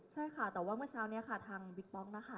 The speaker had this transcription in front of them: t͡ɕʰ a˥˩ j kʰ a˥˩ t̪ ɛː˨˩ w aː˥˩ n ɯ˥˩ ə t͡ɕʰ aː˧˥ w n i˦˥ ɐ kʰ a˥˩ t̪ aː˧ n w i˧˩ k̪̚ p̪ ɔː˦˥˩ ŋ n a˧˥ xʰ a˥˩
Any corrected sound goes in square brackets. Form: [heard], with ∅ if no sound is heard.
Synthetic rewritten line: t͡ɕʰ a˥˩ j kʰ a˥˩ t̪ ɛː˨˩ w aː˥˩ [m] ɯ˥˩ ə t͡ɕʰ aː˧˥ w n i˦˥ ɐ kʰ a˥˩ [t̪ʰ] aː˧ [ŋ] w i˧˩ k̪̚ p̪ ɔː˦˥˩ ŋ n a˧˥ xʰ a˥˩